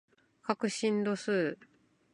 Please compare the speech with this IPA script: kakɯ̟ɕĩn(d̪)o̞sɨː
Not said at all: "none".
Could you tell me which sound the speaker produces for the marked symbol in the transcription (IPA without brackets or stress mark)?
d̪